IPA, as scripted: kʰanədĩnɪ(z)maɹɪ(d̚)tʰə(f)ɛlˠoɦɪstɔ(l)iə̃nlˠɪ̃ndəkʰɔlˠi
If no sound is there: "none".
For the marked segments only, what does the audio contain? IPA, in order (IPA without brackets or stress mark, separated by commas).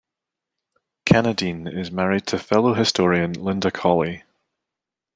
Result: z, d̚, f, ɹ